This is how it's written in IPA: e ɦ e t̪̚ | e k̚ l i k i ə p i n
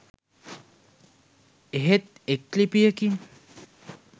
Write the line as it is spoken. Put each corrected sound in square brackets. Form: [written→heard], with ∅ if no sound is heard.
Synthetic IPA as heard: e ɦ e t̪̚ | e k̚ l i [k→p] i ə [p→k] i n